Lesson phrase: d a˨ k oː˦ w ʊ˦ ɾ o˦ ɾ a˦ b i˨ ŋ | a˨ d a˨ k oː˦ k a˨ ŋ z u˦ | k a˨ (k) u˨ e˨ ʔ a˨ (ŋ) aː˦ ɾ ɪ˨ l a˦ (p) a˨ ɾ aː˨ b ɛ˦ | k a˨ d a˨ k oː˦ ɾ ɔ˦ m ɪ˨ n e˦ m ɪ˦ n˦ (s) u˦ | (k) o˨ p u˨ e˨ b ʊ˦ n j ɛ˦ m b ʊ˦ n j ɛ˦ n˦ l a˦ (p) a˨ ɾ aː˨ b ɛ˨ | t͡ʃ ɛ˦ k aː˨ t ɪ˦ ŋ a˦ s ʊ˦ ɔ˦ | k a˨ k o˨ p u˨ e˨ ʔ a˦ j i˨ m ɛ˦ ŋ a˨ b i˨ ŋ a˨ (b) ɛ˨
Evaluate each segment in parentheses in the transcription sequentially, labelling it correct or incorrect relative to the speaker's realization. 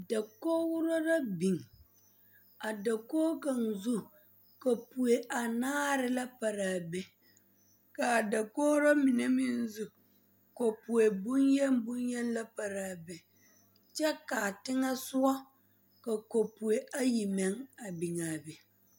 incorrect: p, incorrect: n, correct, incorrect: z, correct, correct, correct

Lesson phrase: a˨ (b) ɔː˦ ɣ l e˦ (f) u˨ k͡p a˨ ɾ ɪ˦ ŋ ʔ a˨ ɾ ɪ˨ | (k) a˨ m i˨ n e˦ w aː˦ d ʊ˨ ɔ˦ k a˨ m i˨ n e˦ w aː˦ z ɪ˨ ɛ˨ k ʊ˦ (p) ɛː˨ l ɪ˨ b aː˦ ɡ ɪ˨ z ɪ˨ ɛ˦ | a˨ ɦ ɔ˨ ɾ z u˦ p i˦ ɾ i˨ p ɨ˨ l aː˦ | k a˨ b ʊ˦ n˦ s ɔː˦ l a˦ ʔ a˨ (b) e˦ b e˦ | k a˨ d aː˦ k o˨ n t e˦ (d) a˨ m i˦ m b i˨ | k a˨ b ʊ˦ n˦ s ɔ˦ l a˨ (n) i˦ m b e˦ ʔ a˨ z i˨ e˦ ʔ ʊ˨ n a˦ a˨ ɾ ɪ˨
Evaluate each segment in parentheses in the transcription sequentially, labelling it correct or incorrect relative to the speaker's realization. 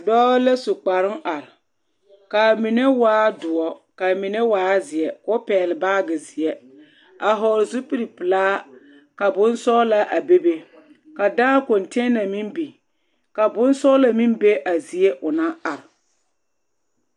incorrect: d, incorrect: s, correct, correct, correct, incorrect: n, incorrect: m

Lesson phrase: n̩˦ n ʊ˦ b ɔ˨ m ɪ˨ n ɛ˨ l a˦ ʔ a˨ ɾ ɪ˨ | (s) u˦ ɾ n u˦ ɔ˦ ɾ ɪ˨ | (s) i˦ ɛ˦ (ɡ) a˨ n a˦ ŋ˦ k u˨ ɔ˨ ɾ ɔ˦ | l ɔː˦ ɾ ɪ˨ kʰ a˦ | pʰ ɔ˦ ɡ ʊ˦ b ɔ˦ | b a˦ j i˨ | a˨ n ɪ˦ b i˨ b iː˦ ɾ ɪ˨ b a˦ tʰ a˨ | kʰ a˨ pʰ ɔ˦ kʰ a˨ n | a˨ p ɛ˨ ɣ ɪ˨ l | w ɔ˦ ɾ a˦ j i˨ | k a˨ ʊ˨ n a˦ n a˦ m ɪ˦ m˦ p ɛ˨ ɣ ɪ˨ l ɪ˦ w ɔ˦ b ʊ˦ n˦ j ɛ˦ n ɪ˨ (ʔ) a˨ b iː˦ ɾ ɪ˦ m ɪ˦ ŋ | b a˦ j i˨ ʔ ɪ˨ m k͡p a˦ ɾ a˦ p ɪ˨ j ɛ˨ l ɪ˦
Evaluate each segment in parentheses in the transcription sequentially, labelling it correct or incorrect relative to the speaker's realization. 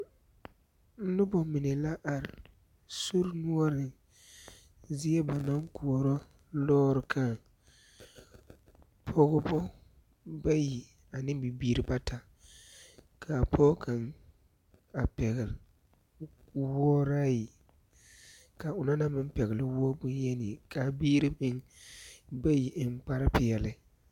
correct, incorrect: z, incorrect: b, incorrect: k

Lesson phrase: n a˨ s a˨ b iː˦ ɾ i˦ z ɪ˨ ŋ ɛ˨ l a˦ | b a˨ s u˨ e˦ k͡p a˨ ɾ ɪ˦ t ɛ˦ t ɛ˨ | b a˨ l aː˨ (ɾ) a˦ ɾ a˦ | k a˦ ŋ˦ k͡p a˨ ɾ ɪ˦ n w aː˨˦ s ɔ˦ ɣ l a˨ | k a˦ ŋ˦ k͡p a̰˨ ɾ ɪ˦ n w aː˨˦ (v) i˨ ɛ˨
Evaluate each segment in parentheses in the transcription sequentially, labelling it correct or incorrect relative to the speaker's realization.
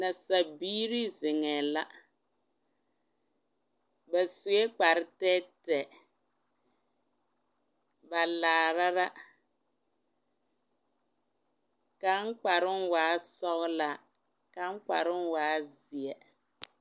correct, incorrect: z

